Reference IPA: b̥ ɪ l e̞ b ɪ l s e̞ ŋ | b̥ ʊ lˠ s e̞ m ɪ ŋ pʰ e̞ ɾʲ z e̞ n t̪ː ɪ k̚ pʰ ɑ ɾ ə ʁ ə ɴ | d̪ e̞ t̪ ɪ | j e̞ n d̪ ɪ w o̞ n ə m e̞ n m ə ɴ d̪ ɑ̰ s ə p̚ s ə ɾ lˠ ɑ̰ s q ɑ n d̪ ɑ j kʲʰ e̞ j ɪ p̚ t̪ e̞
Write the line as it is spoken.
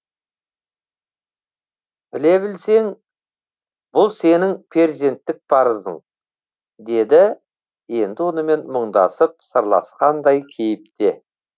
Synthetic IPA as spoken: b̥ ɪ l e̞ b ɪ l s e̞ ŋ | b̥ ʊ lˠ s e̞ n ɪ ŋ pʰ e̞ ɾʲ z e̞ n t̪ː ɪ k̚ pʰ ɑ ɾ ə z ə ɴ | d̪ e̞ d̪ ɪ | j e̞ n d̪ ɪ w o̞ n ə m e̞ n m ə ɴ d̪ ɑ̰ s ə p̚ s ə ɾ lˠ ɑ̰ s q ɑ n d̪ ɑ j kʲʰ e̞ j ɪ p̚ t̪ e̞